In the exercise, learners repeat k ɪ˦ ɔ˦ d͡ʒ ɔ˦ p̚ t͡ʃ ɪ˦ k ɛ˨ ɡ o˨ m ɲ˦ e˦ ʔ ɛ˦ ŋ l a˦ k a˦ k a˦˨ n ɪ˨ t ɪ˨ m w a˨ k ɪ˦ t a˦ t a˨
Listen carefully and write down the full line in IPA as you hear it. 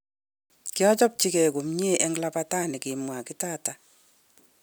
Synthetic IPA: k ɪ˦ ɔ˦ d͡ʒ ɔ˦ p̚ t͡ʃ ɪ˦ k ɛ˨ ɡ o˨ m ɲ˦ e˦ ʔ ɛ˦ ŋ l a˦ p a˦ t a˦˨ n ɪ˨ k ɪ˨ m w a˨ k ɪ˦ t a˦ t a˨